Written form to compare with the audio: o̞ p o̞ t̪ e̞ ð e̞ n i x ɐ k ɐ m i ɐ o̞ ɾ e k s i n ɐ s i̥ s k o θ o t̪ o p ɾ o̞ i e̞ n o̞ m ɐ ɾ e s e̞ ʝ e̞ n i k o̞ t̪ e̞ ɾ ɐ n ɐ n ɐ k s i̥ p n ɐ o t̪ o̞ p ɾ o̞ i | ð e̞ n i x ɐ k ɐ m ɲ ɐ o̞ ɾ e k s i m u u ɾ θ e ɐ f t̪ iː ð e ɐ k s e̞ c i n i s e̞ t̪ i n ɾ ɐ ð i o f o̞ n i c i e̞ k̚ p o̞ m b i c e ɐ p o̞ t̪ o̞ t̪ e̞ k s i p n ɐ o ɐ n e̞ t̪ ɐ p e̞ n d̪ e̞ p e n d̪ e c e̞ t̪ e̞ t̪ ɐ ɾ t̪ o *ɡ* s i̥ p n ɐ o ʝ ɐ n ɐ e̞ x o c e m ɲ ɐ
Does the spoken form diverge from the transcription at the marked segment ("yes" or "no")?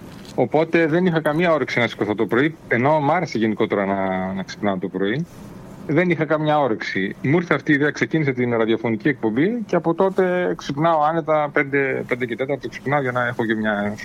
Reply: yes